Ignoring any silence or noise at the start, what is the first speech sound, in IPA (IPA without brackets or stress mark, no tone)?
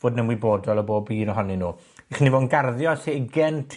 v